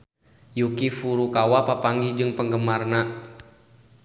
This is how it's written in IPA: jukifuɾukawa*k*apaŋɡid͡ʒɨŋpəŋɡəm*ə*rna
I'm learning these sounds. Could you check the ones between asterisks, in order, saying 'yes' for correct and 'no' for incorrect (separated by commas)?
no, no